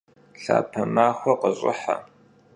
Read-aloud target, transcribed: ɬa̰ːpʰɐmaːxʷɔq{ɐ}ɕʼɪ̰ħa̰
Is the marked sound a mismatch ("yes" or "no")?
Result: yes